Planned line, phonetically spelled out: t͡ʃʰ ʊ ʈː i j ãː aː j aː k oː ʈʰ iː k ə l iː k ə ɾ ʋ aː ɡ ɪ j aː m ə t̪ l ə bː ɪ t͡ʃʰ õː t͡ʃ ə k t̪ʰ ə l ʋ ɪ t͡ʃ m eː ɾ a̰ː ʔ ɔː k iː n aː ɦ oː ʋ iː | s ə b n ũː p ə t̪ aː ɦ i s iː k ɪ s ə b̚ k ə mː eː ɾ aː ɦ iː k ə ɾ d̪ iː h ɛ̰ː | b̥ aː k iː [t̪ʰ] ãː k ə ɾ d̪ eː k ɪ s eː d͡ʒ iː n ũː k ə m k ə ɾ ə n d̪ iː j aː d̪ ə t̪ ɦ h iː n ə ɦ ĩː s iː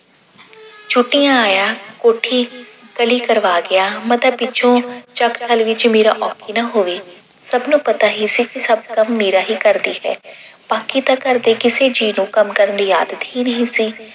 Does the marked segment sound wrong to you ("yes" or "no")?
yes